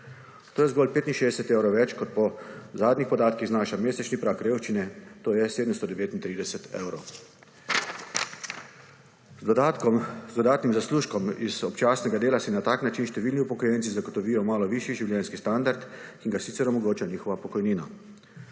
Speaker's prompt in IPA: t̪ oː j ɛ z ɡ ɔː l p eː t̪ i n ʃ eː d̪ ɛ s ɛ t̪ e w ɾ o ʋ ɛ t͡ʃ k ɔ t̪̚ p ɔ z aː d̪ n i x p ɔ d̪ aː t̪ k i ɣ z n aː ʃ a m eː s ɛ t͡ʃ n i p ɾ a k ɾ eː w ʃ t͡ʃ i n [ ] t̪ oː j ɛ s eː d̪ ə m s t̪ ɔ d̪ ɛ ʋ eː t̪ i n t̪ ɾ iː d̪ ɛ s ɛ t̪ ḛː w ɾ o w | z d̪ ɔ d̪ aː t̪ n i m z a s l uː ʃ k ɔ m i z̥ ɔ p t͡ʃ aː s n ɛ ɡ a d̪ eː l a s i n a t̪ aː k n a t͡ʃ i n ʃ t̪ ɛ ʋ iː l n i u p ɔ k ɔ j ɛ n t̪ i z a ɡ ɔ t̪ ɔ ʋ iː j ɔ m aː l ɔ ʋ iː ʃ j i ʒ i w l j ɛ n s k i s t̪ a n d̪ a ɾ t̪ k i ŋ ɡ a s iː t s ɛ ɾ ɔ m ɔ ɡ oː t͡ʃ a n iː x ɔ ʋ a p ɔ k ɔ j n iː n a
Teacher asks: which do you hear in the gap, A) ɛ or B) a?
A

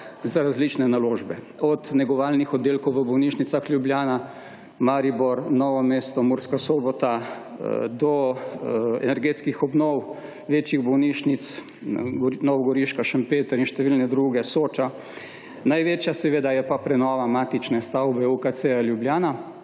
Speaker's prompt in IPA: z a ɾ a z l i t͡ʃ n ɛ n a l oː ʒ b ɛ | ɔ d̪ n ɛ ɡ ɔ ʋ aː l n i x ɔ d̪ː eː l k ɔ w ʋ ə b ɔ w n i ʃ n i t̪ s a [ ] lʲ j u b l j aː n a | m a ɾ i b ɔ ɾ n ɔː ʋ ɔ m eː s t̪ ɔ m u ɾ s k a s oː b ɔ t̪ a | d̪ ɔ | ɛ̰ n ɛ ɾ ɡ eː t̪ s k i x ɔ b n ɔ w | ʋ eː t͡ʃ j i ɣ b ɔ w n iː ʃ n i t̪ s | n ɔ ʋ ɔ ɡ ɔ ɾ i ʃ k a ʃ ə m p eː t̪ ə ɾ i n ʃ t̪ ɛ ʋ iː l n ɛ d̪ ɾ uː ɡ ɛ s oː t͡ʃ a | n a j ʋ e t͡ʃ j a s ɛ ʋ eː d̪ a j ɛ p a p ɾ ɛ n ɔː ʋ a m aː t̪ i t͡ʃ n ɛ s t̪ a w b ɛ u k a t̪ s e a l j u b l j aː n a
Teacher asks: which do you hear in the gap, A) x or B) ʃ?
A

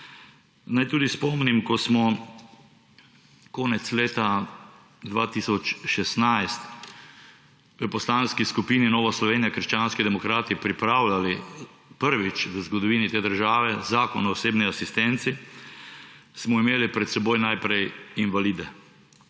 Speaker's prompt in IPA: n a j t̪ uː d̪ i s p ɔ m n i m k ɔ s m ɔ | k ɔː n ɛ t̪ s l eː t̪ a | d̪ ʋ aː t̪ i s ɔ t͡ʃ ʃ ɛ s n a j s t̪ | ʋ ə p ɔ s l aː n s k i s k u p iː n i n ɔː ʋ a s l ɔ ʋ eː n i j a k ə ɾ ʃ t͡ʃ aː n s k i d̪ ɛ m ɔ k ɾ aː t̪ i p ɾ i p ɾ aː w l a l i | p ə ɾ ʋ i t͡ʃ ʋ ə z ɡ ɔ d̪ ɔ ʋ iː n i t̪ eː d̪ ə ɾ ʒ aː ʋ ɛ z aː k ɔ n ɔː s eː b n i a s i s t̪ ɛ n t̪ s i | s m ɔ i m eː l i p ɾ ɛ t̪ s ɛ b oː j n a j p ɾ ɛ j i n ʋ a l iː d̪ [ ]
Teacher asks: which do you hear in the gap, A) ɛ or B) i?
A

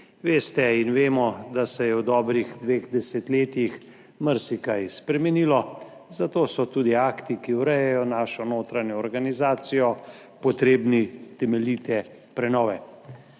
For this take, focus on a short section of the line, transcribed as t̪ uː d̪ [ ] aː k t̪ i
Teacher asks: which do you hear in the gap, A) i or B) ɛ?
A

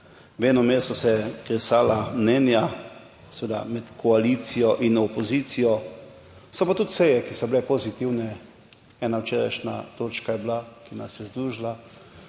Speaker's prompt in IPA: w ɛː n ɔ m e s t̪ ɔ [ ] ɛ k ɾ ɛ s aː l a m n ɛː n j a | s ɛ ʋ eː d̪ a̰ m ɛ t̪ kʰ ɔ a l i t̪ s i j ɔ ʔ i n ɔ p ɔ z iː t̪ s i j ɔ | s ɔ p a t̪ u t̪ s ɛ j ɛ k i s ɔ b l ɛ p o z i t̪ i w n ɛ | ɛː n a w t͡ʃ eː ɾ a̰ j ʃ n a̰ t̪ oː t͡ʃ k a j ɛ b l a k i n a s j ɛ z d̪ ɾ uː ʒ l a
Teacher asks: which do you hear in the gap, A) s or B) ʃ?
A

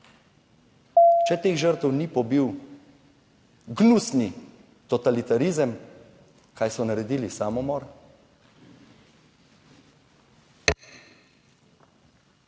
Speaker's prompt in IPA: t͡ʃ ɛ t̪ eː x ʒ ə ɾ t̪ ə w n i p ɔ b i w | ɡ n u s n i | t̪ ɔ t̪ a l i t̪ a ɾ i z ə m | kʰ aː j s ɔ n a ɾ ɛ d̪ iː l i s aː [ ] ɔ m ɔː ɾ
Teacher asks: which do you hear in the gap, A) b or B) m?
B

